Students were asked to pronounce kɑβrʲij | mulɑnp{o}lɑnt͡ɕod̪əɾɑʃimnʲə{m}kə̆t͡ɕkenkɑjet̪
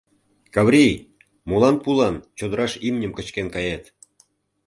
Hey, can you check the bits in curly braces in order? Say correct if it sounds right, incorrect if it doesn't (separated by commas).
incorrect, correct